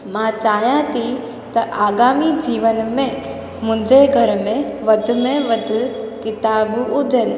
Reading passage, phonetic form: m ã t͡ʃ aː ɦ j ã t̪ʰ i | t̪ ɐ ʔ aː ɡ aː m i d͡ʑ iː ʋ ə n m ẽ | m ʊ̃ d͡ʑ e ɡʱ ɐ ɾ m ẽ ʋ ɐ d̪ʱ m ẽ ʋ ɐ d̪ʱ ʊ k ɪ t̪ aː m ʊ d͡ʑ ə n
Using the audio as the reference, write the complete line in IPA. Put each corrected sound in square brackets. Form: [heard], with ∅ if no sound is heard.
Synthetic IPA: m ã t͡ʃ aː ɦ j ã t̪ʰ i | t̪ ɐ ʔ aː ɡ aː m i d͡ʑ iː ʋ ə n m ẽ | m ʊ̃ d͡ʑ e ɡʱ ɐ ɾ m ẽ ʋ ɐ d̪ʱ m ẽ ʋ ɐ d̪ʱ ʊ k ɪ t̪ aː [b] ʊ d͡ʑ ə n